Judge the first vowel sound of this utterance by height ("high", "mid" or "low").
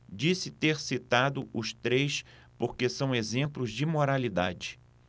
high